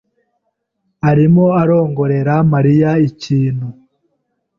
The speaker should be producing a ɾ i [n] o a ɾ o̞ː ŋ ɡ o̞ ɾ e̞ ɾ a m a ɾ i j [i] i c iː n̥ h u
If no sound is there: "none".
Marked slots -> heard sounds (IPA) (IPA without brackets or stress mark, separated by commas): m, a